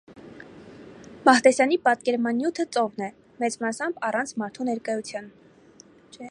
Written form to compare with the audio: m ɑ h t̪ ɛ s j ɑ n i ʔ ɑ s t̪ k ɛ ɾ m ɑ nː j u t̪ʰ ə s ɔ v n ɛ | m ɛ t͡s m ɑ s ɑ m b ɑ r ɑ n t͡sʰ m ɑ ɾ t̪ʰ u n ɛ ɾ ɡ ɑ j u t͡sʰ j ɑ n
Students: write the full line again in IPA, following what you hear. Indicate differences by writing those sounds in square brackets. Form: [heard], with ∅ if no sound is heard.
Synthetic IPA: m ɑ h t̪ ɛ s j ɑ n i [p] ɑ [∅] t̪ k ɛ ɾ m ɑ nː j u t̪ʰ ə [t͡s] ɔ v n ɛ | m ɛ t͡s m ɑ s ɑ m b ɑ r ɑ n t͡sʰ m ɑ ɾ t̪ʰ u n ɛ ɾ [k] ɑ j u t͡sʰ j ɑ n